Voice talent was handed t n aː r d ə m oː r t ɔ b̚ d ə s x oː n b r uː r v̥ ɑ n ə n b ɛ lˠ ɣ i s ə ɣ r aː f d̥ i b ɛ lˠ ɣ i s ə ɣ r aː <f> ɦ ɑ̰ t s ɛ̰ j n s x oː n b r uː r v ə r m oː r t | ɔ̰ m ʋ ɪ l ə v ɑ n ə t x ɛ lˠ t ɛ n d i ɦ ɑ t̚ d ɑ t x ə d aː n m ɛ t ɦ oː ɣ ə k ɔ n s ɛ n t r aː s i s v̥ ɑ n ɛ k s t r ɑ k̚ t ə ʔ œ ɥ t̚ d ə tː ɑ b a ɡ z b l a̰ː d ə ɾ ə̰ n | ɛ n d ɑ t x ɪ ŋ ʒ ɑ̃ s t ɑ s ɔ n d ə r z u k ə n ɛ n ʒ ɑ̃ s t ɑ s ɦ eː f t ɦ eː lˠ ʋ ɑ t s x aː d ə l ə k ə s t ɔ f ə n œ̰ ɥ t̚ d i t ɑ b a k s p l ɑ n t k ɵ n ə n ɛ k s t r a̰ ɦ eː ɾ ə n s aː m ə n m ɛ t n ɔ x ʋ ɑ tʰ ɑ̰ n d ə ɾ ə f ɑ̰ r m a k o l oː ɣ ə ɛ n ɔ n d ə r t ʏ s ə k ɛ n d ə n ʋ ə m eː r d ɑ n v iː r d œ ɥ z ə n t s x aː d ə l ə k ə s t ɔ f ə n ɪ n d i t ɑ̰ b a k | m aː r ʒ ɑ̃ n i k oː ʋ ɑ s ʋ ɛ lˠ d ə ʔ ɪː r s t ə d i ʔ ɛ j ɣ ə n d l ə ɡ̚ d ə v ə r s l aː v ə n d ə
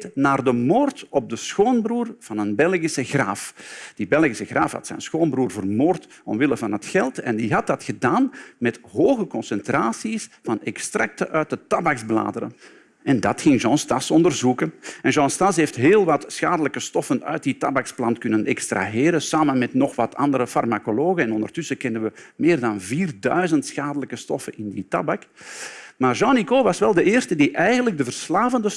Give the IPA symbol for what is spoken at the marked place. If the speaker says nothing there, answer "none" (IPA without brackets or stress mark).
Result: f